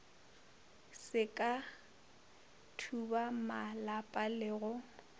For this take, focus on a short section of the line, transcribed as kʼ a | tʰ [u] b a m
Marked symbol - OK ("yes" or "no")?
yes